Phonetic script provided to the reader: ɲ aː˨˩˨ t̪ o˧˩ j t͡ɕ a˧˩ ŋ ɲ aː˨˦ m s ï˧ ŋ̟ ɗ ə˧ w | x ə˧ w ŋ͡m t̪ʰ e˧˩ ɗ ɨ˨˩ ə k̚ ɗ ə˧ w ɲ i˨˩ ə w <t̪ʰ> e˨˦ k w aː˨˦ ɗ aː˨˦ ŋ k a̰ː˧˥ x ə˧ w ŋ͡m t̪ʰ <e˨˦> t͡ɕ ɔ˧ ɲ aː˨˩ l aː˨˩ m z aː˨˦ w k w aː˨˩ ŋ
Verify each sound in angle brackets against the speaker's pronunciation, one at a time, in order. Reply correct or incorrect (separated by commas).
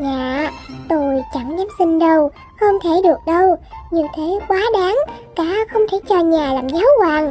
correct, incorrect